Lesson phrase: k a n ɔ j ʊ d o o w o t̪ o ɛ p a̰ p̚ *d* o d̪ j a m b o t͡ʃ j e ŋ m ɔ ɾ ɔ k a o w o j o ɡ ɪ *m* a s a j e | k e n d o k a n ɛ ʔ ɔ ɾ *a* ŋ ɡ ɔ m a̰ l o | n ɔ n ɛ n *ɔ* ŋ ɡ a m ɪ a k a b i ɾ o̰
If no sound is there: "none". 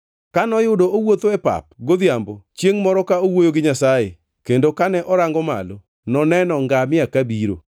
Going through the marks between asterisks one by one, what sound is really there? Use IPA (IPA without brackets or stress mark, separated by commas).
ɡ, ɲ, a, ɔ